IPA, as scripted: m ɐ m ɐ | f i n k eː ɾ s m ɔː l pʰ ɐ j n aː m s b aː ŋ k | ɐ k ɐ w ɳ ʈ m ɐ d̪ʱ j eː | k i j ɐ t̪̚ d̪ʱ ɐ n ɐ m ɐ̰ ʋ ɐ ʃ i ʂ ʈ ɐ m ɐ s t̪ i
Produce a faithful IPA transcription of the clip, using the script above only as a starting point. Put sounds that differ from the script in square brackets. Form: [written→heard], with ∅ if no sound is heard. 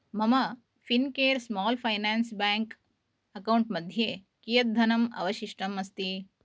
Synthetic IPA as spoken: m ɐ m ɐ | f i n k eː ɾ s m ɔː l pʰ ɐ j n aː [m→n] s b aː ŋ k | ɐ k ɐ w ɳ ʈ m ɐ d̪ʱ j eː | k i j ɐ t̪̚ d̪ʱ ɐ n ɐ m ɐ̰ ʋ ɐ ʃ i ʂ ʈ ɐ m ɐ s t̪ i